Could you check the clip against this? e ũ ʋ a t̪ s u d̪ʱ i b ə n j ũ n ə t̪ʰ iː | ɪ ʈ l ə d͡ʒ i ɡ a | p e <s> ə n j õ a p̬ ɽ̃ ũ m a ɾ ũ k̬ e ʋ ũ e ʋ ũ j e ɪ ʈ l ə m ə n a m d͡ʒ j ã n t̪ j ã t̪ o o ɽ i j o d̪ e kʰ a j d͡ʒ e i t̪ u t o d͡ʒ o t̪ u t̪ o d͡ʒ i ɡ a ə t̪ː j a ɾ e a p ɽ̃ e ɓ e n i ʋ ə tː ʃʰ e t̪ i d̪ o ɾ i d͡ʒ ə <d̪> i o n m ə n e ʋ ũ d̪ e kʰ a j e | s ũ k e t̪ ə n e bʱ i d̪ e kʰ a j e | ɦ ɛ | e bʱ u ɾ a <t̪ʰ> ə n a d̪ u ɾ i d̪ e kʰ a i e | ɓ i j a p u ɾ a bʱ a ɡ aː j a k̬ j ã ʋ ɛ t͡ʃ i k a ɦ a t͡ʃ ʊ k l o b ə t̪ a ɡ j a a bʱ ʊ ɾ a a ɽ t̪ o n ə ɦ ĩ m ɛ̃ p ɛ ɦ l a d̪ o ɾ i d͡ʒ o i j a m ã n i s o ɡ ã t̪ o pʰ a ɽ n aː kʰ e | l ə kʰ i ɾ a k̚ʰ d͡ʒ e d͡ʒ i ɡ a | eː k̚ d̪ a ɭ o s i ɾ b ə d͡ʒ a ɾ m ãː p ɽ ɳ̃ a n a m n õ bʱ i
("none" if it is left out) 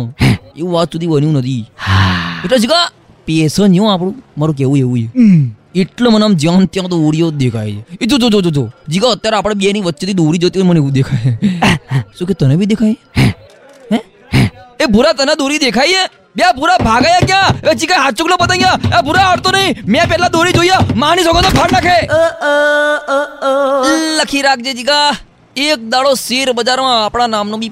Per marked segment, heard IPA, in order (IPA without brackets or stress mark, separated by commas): s, t̪, t̪